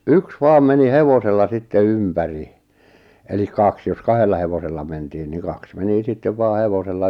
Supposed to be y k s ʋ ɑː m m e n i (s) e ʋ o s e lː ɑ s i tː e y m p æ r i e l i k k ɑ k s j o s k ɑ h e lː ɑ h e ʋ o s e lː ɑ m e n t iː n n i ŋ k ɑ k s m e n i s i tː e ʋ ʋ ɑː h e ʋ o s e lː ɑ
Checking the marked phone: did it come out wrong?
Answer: yes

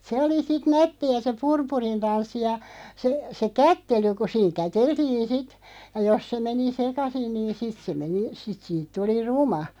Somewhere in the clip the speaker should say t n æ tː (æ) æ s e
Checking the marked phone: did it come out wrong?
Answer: yes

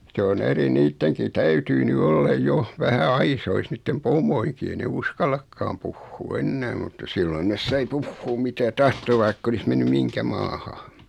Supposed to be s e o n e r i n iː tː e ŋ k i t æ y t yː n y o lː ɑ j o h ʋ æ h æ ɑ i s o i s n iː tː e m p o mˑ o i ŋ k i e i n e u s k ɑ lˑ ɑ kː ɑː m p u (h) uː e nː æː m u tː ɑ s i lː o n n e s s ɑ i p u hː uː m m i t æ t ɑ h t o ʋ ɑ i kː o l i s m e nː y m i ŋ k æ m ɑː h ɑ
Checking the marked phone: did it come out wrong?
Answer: yes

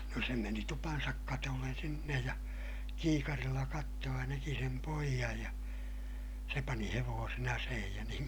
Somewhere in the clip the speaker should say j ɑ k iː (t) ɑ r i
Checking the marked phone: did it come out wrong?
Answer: yes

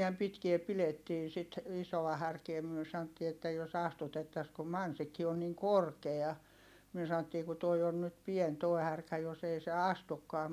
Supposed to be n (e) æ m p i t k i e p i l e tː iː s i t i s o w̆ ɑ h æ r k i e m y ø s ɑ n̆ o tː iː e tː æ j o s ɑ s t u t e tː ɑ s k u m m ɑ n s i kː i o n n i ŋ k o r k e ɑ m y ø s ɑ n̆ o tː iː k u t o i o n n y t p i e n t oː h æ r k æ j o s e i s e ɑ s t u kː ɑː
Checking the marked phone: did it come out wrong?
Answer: yes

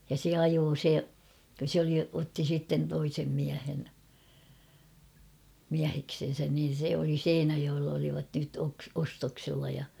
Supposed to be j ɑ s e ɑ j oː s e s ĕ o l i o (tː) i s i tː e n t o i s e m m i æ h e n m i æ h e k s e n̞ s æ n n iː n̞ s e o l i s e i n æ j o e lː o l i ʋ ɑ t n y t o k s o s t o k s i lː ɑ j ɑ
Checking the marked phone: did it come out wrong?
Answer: no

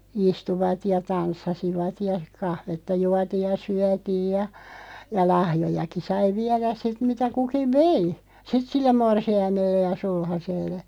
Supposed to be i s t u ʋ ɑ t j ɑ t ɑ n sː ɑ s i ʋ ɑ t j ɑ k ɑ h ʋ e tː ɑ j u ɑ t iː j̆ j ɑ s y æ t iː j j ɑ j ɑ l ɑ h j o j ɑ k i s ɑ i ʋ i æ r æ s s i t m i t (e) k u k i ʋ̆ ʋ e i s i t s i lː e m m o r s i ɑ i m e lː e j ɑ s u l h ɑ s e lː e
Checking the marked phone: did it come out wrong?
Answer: yes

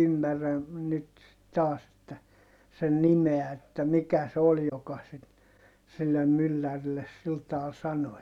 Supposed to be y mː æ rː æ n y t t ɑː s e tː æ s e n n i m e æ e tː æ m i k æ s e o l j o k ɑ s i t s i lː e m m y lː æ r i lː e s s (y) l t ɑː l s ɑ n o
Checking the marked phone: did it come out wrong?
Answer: yes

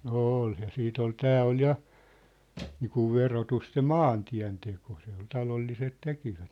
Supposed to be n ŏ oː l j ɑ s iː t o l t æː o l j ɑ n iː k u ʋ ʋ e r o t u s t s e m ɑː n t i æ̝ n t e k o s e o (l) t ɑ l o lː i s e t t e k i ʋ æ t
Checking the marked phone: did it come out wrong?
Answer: no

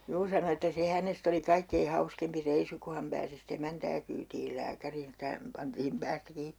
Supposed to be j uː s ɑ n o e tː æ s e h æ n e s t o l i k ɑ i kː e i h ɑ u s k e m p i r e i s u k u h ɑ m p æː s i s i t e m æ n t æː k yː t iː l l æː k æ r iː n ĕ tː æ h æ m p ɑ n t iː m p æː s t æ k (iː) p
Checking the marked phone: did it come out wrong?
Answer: no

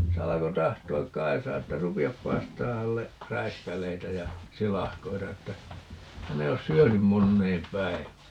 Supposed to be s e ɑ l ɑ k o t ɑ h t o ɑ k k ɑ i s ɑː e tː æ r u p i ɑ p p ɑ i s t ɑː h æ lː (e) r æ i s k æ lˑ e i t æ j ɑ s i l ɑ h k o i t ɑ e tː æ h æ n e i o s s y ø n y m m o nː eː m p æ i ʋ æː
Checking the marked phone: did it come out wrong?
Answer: no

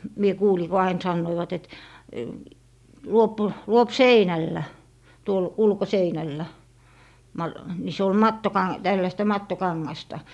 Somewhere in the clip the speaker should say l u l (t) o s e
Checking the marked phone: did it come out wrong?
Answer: yes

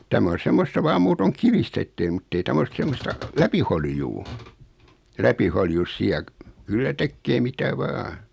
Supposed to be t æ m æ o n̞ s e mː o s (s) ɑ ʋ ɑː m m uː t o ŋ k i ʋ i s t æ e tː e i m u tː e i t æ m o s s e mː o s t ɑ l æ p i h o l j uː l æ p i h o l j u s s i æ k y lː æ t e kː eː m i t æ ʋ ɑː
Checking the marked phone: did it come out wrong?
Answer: yes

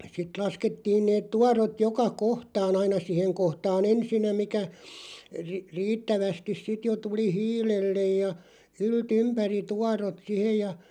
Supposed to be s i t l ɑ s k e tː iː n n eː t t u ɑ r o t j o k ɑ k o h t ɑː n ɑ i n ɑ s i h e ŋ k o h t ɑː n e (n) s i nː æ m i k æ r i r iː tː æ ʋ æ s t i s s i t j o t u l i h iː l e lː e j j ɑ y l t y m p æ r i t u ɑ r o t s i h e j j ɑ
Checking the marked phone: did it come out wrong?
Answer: no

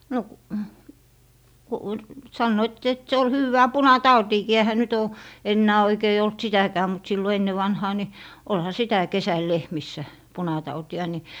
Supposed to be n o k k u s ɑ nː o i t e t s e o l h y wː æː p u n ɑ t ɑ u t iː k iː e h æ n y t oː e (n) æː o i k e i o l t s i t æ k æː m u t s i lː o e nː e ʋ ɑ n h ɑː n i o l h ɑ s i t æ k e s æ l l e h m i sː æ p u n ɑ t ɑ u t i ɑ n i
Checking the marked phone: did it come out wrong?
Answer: yes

